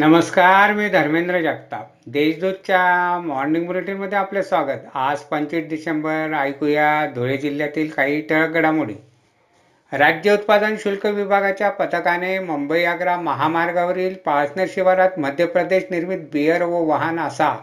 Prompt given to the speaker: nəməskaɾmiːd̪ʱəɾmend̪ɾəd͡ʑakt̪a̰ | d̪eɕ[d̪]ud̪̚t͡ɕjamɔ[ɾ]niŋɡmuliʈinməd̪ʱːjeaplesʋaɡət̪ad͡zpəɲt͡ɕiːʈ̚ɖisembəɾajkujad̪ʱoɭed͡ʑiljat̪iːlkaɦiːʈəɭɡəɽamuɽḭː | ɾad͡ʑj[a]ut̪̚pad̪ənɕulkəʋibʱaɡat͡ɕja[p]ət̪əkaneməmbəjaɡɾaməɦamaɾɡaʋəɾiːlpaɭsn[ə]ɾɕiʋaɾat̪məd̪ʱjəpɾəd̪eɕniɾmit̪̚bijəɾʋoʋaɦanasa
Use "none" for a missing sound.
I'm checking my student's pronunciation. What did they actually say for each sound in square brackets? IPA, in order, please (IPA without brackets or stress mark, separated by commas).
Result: d̪, ɾ, ə, p, ə